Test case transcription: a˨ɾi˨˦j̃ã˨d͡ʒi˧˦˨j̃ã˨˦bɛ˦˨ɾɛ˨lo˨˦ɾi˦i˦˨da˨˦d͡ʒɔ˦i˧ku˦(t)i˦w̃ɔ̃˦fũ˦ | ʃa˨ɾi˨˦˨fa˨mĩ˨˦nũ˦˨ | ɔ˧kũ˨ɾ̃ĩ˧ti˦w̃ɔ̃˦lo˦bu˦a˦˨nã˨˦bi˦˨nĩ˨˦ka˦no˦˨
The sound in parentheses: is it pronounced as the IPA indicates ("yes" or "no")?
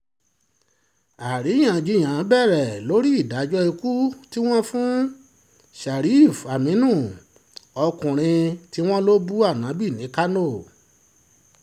yes